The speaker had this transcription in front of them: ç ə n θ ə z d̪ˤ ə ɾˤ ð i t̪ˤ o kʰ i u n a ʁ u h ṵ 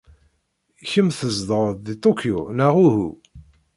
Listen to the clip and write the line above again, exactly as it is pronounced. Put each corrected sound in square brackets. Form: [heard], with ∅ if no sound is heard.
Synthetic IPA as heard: ç ə [m] θ ə z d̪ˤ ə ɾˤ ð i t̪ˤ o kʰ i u n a ʁ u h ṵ